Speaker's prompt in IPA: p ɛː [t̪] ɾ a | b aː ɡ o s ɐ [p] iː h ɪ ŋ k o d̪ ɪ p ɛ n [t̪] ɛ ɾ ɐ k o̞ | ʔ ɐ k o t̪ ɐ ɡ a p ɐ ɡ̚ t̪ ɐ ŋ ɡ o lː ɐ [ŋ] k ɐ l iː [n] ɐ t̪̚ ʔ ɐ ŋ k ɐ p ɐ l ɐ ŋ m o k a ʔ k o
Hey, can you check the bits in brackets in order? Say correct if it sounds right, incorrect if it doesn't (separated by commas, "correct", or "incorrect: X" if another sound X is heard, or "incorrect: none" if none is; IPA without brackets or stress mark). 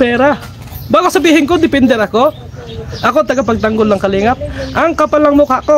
incorrect: none, incorrect: b, incorrect: d̪, correct, incorrect: ŋ